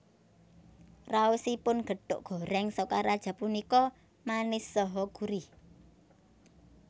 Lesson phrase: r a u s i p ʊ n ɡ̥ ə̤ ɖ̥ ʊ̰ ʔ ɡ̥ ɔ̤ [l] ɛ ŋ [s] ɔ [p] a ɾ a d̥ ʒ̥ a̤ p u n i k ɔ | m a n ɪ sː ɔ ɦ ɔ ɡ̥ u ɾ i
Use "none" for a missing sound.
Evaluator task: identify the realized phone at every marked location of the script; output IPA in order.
ɾ, s, k

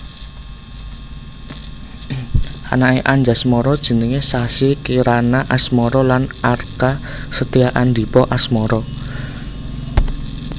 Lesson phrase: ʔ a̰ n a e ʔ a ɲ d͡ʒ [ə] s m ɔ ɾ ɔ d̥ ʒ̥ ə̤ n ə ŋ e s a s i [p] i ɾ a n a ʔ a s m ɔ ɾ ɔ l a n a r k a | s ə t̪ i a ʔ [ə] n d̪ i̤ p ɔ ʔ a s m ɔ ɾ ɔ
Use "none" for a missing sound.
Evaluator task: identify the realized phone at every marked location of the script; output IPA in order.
a, k, a

